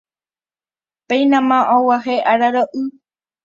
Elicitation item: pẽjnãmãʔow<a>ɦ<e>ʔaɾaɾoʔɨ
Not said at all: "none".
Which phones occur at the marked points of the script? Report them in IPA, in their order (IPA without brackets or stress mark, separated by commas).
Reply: a, e